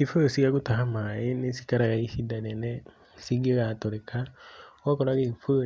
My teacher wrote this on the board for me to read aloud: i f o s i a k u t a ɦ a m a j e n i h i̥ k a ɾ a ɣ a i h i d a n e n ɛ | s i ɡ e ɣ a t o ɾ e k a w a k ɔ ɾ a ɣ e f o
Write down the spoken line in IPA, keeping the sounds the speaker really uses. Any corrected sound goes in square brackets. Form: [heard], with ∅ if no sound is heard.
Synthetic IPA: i f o s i a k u t a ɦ a m a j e n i [s] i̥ k a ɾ a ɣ a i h i d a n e n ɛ | s i ɡ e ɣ a t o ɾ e k a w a k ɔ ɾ a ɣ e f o